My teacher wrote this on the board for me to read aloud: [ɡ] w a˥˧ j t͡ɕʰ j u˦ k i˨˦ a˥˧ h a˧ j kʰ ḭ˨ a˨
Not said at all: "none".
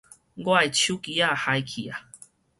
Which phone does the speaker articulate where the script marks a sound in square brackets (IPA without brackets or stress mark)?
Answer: ɡ